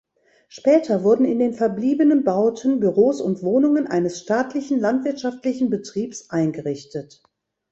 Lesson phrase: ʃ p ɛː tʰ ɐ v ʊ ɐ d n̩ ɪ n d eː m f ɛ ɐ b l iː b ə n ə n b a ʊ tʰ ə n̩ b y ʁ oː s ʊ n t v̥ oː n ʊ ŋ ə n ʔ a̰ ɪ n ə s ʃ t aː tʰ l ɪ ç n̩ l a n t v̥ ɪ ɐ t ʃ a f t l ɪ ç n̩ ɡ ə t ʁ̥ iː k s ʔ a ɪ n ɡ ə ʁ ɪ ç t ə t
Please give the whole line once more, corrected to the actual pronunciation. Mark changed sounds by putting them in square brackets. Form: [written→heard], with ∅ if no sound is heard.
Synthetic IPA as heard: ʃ p ɛː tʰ ɐ v ʊ ɐ d n̩ ɪ n d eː [m→n] f ɛ ɐ b l iː b ə n ə n b a ʊ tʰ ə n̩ b y ʁ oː s ʊ n t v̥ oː n ʊ ŋ ə n ʔ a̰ ɪ n ə s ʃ t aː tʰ l ɪ ç n̩ l a n t v̥ ɪ ɐ t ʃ a f t l ɪ ç n̩ [ɡ→b] ə t ʁ̥ iː [k→p] s ʔ a ɪ n ɡ ə ʁ ɪ ç t ə t